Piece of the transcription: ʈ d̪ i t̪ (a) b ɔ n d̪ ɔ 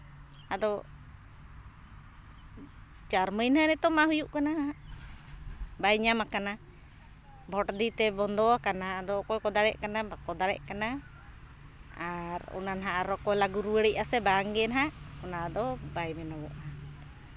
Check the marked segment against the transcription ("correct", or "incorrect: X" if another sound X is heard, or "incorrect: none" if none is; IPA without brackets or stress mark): incorrect: ɛ